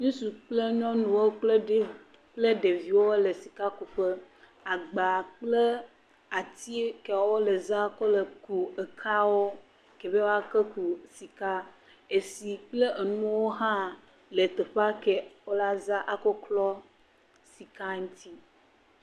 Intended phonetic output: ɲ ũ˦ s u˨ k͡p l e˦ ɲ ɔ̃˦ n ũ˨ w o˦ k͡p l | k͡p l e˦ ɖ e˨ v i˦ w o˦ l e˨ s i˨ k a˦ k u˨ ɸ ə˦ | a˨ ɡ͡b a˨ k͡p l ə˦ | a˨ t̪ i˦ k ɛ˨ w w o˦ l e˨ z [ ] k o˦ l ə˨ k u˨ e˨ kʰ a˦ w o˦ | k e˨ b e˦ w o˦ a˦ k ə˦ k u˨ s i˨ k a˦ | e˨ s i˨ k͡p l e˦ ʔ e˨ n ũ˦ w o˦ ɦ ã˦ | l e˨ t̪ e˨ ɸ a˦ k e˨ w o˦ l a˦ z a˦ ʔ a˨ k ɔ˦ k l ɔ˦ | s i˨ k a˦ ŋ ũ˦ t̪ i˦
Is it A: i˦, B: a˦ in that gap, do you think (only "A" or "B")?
B